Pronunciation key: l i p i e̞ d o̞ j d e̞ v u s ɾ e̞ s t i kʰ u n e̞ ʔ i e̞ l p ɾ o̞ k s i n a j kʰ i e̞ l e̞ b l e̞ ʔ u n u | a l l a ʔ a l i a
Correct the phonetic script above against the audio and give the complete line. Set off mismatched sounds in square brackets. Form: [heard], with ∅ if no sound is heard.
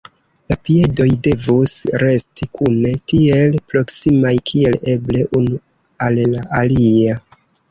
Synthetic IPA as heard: l [a] p i e̞ d o̞ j d e̞ v u s ɾ e̞ s t i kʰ u n e̞ [t] i e̞ l p ɾ o̞ k s i [m] a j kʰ i e̞ l e̞ b l e̞ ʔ u n u | a l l a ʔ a l i a

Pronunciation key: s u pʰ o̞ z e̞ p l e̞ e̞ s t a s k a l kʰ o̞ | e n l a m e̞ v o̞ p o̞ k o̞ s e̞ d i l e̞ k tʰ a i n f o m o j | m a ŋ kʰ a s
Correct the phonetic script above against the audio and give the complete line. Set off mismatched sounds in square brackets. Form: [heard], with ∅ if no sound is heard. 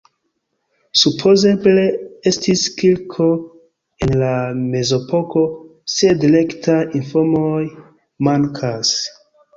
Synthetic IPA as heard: s u pʰ o̞ z e̞ [b] l e̞ e̞ s t [i] s k [i] l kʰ o̞ | e n l a m e̞ [z] o̞ p o̞ k o̞ s e̞ d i l e̞ k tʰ a i n f o m o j | m a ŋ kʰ a s

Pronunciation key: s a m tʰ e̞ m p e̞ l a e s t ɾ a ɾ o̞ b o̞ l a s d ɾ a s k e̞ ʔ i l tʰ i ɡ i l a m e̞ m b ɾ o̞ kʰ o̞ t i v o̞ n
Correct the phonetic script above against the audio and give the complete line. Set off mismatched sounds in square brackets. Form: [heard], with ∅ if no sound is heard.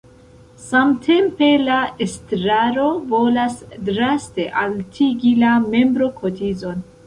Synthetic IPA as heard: s a m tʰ e̞ m p e̞ l a e s t ɾ a ɾ o̞ [v] o̞ l a s d ɾ a s [t] e̞ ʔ [a] l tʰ i ɡ i l a m e̞ m b ɾ o̞ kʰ o̞ t i [z] o̞ n

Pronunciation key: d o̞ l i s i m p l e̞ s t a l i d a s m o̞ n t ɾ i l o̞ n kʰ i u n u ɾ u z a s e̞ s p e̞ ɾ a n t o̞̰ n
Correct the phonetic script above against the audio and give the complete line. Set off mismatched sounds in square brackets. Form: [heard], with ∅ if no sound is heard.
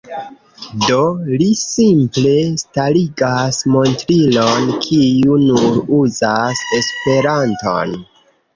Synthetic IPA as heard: d o̞ l i s i m p l e̞ s t a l i [ɡ] a s m o̞ n t ɾ i l o̞ n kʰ i u n u ɾ u z a s e̞ s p e̞ ɾ a n t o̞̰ n

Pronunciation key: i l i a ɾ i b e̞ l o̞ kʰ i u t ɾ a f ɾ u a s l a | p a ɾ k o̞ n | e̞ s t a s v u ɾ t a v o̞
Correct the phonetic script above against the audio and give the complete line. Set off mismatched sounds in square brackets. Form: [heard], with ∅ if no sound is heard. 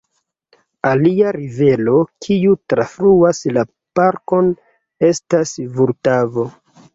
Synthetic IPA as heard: [a] l i a ɾ i [v] e̞ l o̞ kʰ i u t ɾ a f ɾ u a s l a | p a ɾ k o̞ n | e̞ s t a s v u ɾ t a v o̞

